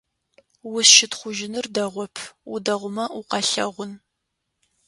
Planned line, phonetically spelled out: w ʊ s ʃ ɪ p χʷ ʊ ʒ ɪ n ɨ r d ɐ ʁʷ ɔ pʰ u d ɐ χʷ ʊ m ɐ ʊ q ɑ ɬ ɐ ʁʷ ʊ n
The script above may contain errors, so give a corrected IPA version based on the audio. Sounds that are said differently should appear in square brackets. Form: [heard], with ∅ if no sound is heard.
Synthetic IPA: w ʊ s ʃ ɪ [t] χʷ ʊ ʒ ɪ n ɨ r d ɐ ʁʷ ɔ pʰ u d ɐ [ʁʷ] ʊ m ɐ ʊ q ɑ ɬ ɐ ʁʷ ʊ n